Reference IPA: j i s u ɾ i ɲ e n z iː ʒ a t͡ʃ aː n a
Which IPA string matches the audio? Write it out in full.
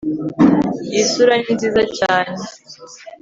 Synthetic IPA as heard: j i s u ɾ a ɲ i n z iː z a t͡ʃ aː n e